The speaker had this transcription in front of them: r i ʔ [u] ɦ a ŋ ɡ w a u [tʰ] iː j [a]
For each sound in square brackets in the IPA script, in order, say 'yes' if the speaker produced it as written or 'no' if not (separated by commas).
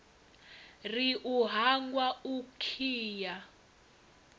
yes, no, yes